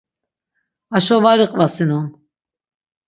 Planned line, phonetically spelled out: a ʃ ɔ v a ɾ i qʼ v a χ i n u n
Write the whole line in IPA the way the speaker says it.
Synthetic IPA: a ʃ ɔ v a ɾ i qʼ v a s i n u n